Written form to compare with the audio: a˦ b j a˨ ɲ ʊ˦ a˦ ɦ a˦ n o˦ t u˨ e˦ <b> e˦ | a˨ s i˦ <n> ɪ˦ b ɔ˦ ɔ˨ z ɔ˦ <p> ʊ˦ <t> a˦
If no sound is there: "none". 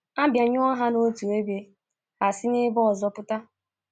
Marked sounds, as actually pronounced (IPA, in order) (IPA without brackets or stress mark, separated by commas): b, n, p, t